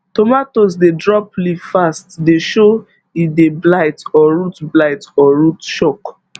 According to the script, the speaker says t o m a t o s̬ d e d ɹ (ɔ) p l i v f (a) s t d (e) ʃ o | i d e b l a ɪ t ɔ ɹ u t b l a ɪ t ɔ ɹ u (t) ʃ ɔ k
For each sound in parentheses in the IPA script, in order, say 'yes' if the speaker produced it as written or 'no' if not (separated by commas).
yes, yes, yes, yes